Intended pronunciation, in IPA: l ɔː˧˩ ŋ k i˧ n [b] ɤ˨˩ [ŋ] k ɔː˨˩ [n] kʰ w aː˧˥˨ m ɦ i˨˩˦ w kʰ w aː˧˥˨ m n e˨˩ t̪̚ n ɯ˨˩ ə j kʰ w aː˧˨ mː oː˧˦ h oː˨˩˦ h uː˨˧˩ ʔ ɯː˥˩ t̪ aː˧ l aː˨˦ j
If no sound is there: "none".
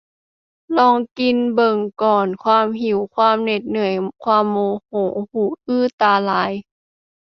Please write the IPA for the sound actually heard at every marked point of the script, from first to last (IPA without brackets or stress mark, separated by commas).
b, ŋ, n